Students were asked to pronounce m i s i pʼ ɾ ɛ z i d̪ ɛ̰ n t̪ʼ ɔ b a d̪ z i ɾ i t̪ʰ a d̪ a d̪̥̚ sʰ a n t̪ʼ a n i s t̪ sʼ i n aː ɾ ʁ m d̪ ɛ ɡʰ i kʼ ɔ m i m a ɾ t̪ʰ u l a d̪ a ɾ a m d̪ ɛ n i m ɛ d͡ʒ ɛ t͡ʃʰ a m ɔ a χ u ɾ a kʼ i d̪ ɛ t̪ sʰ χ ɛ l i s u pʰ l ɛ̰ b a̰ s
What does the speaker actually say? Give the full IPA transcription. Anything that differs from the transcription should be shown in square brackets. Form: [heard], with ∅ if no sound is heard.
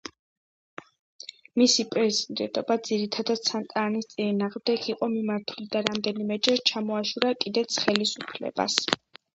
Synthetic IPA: m i s i pʼ ɾ ɛ z i d̪ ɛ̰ n t̪ʼ ɔ b a d̪ z i ɾ i t̪ʰ a d̪ a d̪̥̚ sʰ a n t̪ʼ a n i s t̪ sʼ i n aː [∅] ʁ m d̪ ɛ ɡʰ i [qʼ] ɔ m i m a ɾ t̪ʰ u l [i] d̪ a ɾ a m d̪ ɛ n i m ɛ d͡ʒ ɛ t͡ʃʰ a m ɔ a [ʃ] u ɾ a kʼ i d̪ ɛ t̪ sʰ χ ɛ l i s u pʰ l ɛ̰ b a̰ s